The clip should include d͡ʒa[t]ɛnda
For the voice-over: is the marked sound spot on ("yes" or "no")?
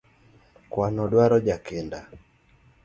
no